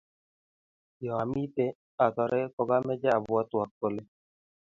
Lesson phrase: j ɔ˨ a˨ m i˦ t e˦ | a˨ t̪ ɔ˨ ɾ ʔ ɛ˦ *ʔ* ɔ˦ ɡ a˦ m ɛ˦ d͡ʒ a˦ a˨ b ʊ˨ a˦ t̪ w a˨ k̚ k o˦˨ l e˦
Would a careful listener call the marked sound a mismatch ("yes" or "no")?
yes